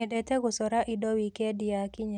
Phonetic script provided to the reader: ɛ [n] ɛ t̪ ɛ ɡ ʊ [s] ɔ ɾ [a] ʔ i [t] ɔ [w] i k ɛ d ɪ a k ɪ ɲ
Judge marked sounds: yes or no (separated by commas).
no, yes, yes, no, yes